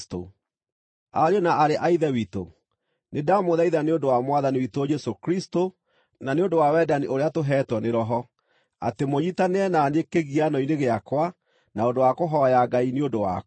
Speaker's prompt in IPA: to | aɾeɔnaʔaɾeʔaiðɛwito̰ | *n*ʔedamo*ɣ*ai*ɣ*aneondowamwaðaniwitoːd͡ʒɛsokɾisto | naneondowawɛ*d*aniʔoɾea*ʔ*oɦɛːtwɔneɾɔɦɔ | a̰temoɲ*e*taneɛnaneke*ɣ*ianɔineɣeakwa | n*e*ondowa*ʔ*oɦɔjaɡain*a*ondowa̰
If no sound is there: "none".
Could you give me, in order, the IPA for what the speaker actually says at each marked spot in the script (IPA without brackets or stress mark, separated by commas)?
n, ð, ð, d, t, i, ɣ, a, k, e